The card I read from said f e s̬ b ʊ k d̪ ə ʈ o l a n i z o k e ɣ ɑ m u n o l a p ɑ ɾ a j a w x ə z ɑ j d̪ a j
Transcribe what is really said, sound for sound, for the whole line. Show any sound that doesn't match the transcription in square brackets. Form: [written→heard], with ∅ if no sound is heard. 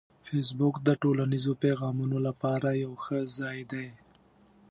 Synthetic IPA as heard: f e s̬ b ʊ k d̪ ə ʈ o l a n i z o [k→p] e ɣ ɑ m u n o l a p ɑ ɾ a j a w x ə z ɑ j d̪ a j